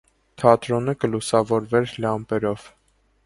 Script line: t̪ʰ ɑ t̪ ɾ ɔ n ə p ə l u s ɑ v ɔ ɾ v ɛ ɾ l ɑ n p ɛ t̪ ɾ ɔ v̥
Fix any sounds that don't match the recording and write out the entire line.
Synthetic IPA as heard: t̪ʰ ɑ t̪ ɾ ɔ n ə k ə l u s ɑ v ɔ ɾ v ɛ ɾ l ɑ m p ɛ ɾ ɔ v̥

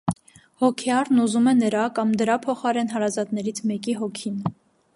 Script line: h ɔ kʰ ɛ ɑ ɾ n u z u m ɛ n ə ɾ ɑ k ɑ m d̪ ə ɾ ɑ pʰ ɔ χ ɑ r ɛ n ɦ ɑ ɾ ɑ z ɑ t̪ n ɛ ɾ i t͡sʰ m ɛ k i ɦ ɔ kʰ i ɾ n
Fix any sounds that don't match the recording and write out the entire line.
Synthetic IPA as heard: h ɔ kʰ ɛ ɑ ɾ n u z u m ɛ n ə ɾ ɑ k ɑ m d̪ ə ɾ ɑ pʰ ɔ χ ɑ ɾ ɛ n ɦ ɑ ɾ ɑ z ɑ t̪ n ɛ ɾ i t͡sʰ m ɛ k i ɦ ɔ kʰ i n

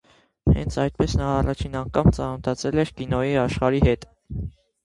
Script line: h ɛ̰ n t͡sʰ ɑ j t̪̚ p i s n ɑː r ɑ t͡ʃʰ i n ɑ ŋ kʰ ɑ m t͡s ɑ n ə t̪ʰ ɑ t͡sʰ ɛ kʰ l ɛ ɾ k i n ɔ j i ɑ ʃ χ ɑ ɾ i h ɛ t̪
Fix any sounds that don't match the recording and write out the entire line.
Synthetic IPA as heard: h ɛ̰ n t͡sʰ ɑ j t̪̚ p ɛ s n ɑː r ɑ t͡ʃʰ i n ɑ ŋ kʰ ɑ m t͡s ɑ n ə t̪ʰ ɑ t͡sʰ ɛ l ɛ ɾ k i n ɔ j i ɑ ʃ χ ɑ ɾ i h ɛ t̪

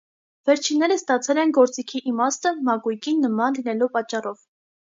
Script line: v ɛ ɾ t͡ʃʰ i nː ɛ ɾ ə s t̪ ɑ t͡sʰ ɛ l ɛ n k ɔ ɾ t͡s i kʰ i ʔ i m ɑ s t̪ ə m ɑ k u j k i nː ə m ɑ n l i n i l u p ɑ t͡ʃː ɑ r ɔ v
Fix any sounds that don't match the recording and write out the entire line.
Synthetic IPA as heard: v ɛ ɾ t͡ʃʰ i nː ɛ ɾ ə s t̪ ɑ t͡sʰ ɛ l ɛ n ɡ ɔ ɾ t͡s i kʰ i ʔ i m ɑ s t̪ ə m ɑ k u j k i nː ə m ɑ n l i n ɛ l u p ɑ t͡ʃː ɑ r ɔ v

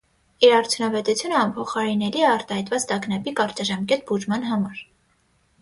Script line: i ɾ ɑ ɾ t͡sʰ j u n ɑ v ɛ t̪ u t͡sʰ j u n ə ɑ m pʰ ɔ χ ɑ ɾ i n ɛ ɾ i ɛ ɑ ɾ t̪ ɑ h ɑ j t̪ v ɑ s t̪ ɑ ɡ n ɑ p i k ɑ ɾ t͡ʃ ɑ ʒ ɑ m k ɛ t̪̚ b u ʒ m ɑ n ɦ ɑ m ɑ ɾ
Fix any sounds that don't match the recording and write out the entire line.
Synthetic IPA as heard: i ɾ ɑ ɾ t͡sʰ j u n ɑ v ɛ t̪ u t͡sʰ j u n ə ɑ m pʰ ɔ χ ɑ ɾ i n ɛ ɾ i ɛ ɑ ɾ t̪ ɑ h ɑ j t̪ v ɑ t͡s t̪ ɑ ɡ n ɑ p i k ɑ ɾ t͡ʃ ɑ ʒ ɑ m k ɛ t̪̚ b u ʒ m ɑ n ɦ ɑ m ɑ ɾ

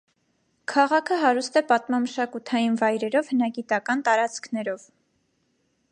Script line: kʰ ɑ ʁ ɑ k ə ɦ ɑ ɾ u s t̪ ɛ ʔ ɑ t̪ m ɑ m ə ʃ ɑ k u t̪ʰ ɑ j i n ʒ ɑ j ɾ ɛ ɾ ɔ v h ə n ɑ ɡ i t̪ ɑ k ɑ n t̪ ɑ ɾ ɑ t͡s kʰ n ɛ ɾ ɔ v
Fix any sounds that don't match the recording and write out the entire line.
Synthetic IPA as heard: kʰ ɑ ʁ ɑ kʰ ə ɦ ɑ ɾ u s t̪ ɛ p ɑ t̪ m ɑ m ə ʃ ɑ k u t̪ʰ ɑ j i n v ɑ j ɾ ɛ ɾ ɔ v h ə n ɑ ɡ i t̪ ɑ k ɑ n t̪ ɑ ɾ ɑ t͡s kʰ n ɛ ɾ ɔ v

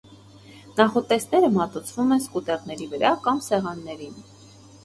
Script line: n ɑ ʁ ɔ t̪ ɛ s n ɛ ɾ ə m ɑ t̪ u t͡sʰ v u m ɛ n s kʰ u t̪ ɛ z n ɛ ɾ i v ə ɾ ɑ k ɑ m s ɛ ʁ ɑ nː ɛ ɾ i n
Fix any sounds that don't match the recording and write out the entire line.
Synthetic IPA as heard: n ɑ χ ɔ t̪ ɛ s n ɛ ɾ ə m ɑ t̪ u t͡sʰ v u m ɛ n s k u t̪ ɛ ʁ n ɛ ɾ i v ə ɾ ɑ k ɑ m s ɛ ʁ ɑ nː ɛ ɾ i n

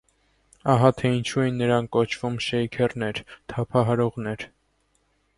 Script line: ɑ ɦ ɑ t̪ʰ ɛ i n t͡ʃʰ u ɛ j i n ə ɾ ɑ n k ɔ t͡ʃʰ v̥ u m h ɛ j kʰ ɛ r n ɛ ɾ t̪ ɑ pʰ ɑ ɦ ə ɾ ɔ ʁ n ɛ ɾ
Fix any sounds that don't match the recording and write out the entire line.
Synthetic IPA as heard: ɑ ɦ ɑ t̪ʰ ɛ i n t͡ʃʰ u ɛ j i nː ə ɾ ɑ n k ɔ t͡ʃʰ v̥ u m ʃ ɛ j kʰ ɛ r n ɛ ɾ t̪ʰ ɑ pʰ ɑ ɦ ɑ ɾ ɔ ʁ n ɛ ɾ

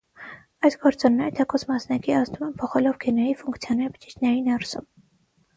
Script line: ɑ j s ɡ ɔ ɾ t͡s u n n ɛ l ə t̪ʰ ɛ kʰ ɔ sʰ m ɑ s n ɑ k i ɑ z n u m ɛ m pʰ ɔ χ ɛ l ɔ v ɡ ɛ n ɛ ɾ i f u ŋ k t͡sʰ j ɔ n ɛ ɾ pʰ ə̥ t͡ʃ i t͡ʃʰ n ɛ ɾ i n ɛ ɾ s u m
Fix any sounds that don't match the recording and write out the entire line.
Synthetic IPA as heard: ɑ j s ɡ ɔ ɾ t͡s ɔ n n ɛ ɾ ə t̪ʰ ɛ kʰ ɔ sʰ m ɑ s n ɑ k i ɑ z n u m ɛ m pʰ ɔ χ ɛ l ɔ v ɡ ɛ n ɛ ɾ i f u ŋ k t͡sʰ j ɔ n ɛ ɾ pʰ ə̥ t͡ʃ i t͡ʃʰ n ɛ ɾ i n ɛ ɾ s u m

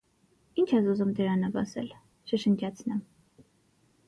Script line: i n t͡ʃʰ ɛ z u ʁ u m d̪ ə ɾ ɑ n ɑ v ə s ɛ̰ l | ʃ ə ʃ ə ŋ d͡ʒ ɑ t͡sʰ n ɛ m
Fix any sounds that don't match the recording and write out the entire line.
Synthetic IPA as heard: i n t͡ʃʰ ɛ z u z u m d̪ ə ɾ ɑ n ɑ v ɑ s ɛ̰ l | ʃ ə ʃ ə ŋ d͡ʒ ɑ t͡sʰ n ɛ m

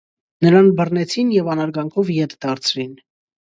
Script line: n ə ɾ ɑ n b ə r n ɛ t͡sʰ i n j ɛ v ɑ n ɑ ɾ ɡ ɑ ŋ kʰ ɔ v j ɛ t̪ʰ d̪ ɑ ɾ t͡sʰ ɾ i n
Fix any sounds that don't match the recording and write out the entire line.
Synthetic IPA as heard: n ə ɾ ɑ n b ə r n ɛ t͡sʰ i n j ɛ v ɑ n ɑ ɾ ɡ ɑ ŋ kʰ ɔ v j ɛ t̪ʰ d̪ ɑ ɾ t͡sʰ ɾ i n

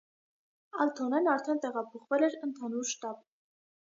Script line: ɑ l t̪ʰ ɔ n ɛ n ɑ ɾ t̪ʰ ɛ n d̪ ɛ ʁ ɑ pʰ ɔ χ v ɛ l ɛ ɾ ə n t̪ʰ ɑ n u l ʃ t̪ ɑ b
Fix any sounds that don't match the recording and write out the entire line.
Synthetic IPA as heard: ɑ l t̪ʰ ɔ n ɛ n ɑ ɾ t̪ʰ ɛ n t̪ ɛ ʁ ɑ pʰ ɔ χ v ɛ l ɛ ɾ ə n t̪ʰ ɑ n u ɾ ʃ t̪ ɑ b

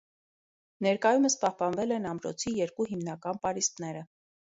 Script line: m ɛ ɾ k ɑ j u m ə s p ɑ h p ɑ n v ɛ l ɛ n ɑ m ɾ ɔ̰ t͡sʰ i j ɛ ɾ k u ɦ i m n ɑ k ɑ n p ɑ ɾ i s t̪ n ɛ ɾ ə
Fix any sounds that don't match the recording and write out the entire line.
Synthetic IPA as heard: n ɛ ɾ k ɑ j u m ə s p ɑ h p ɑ n v ɛ l ɛ n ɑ m ɾ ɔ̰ t͡sʰ i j ɛ ɾ k u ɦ i m n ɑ k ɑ n p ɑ ɾ i s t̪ n ɛ ɾ ə

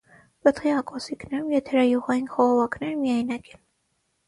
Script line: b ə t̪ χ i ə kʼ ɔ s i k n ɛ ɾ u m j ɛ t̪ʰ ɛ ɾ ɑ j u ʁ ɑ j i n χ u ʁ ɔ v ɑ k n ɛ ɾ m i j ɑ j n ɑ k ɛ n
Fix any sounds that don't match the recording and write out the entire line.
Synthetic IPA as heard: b ə t̪ χ i ɑ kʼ ɔ s i k n ɛ ɾ u m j ɛ t̪ʰ ɛ ɾ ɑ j u ʁ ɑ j i n χ ɔ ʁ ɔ v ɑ k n ɛ ɾ m i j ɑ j n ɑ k ɛ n

